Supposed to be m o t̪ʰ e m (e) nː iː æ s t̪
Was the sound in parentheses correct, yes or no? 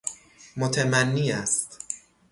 no